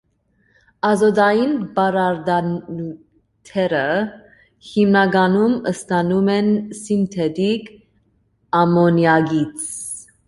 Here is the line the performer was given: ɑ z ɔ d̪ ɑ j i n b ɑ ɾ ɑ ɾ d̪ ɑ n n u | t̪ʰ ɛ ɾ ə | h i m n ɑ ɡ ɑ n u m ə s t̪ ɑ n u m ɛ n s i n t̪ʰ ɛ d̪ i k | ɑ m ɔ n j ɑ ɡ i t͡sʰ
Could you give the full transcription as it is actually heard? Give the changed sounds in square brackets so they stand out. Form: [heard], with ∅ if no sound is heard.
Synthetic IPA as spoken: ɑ z ɔ d̪ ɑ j i n b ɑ ɾ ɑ ɾ d̪ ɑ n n u | t̪ʰ ɛ ɾ ə | h i m n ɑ ɡ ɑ n u m ə s t̪ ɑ n u m ɛ n s i n t̪ʰ ɛ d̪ i k | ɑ m ɔ n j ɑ ɡ i t͡sʰ